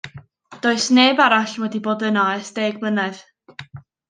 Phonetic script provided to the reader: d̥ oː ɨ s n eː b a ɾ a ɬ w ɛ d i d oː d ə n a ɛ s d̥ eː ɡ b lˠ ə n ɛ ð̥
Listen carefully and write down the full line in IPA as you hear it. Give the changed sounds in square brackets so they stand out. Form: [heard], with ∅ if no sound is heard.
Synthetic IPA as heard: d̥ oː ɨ s n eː b a ɾ a ɬ w ɛ d i [b] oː d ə n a ɛ s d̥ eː ɡ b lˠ ə n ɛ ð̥